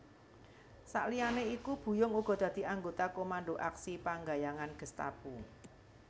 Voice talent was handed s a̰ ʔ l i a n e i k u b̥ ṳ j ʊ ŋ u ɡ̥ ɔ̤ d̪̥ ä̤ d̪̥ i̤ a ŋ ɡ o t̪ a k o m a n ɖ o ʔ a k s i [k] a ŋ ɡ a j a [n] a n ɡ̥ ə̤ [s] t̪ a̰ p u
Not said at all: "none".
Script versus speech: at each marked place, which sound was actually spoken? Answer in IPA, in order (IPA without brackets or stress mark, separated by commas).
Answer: p, ŋ, s